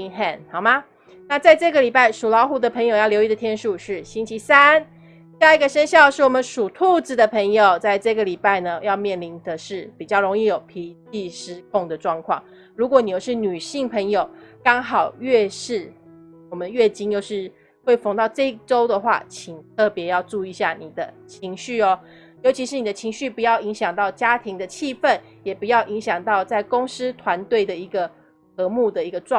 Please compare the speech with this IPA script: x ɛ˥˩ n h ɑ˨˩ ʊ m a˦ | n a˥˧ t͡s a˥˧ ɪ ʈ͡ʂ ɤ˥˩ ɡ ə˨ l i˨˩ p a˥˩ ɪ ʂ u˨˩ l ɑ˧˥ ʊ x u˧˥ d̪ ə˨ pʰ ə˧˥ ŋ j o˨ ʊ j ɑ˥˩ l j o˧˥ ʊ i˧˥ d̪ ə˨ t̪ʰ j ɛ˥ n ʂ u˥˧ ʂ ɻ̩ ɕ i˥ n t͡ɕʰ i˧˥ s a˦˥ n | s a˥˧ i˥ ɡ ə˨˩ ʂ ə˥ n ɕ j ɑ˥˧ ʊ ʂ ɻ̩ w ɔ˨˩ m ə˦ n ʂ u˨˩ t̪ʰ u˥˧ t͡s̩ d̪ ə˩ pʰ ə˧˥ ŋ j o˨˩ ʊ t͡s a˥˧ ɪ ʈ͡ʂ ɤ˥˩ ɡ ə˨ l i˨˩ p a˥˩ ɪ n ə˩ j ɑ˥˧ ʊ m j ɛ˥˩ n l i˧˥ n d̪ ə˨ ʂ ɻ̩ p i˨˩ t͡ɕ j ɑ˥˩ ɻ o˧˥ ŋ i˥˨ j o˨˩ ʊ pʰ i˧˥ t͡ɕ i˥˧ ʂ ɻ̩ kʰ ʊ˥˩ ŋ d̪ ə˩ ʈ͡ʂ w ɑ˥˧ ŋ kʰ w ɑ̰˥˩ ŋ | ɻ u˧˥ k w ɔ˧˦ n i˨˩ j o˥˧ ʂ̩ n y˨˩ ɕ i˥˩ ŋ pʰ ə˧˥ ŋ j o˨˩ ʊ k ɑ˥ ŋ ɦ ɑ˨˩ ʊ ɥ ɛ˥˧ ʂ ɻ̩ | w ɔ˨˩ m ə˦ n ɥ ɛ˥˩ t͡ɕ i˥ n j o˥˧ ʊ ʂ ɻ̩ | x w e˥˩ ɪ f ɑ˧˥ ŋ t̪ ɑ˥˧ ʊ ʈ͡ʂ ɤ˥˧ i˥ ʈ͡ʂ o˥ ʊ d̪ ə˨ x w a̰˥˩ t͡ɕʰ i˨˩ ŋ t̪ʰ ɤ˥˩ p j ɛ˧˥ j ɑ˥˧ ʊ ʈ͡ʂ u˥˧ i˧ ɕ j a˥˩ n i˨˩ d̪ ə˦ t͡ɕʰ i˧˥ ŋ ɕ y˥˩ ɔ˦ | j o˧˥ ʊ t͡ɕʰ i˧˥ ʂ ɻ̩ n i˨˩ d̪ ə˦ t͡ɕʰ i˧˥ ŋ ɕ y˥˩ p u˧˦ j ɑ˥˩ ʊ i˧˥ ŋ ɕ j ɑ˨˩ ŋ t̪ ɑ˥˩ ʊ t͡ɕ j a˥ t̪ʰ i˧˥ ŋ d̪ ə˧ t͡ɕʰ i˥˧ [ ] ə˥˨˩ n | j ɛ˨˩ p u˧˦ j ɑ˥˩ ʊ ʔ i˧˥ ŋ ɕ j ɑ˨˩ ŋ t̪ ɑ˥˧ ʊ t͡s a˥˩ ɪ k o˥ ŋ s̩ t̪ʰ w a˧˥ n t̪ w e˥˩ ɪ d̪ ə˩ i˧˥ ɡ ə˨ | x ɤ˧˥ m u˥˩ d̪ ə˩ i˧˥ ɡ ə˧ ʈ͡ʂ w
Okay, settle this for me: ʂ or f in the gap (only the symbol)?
f